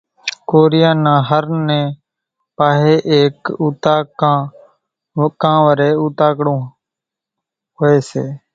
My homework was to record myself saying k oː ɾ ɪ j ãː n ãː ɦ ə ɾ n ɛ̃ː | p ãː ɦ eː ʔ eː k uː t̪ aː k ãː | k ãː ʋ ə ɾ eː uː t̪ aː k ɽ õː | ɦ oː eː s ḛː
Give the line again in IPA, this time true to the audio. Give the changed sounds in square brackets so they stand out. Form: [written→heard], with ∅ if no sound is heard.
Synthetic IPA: k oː ɾ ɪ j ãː n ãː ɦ ə ɾ n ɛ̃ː | p [ãː→aː] ɦ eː ʔ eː k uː t̪ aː k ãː | k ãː ʋ ə ɾ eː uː t̪ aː k ɽ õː | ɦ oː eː s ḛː